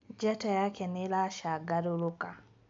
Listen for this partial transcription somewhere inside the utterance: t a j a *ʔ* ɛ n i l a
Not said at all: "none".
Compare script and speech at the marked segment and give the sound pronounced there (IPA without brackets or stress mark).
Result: k